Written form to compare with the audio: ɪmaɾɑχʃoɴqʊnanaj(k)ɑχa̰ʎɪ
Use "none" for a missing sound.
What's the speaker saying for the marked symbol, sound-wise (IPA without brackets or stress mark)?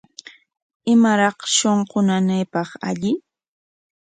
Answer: p